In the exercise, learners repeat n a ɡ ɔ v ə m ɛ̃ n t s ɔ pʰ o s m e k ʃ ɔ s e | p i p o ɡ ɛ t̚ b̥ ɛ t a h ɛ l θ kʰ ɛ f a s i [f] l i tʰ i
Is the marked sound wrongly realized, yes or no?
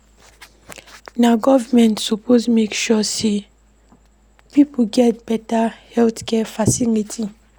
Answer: yes